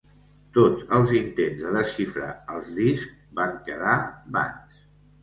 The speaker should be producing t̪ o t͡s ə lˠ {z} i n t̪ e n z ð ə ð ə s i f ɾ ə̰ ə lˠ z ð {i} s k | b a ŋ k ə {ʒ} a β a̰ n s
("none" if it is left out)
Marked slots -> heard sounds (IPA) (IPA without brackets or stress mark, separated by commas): z, i, ð